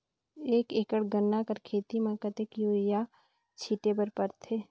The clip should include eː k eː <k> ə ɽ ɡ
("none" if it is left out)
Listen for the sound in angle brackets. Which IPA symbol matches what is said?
k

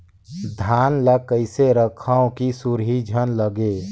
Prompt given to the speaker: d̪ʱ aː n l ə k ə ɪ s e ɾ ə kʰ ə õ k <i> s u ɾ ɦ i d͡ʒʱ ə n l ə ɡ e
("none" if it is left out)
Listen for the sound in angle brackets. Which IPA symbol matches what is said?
i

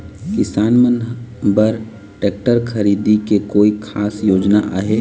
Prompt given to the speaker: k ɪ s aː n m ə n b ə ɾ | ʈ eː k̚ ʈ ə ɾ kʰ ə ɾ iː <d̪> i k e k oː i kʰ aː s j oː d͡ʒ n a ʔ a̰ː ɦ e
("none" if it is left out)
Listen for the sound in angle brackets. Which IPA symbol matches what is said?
d̪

